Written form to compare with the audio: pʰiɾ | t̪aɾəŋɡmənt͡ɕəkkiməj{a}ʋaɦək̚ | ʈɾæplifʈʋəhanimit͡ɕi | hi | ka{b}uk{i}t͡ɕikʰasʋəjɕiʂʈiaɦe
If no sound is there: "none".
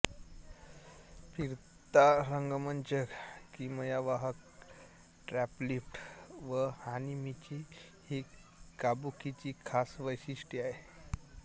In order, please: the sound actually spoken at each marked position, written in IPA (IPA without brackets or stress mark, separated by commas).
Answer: a, b, i